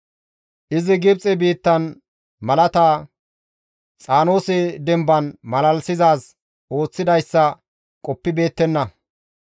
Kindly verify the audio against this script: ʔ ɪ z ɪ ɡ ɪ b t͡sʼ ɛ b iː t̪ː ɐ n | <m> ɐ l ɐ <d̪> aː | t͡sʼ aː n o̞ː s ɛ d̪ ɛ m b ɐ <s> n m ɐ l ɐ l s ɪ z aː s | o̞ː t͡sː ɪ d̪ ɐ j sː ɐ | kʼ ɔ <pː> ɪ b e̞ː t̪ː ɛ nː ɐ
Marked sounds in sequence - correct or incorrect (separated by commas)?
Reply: correct, incorrect, incorrect, correct